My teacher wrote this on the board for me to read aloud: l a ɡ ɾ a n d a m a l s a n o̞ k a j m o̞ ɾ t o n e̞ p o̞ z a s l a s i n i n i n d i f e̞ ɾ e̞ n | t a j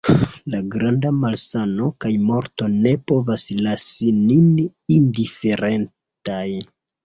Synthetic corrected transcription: l a ɡ ɾ a n d a m a l s a n o̞ k a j m o̞ ɾ t o n e̞ p o̞ v a s l a s i n i n i n d i f e̞ ɾ e̞ n | t a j